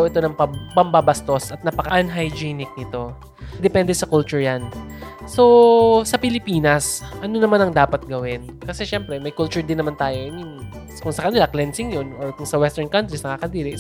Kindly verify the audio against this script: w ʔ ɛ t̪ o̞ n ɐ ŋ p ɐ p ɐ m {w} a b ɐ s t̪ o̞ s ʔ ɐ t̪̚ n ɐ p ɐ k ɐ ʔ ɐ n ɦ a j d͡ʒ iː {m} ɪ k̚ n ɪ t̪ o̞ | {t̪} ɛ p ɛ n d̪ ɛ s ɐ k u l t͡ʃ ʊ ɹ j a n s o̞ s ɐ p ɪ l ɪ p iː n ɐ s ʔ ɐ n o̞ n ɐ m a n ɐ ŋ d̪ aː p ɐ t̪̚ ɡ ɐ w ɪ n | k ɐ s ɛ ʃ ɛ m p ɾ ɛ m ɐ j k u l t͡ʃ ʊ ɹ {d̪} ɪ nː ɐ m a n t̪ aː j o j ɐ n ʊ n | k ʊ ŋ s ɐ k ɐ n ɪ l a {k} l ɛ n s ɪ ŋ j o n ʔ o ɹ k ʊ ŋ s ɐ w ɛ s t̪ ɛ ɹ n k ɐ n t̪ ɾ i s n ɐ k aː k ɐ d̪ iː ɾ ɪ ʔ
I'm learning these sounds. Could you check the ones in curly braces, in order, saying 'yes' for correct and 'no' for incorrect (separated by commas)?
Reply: no, no, no, yes, yes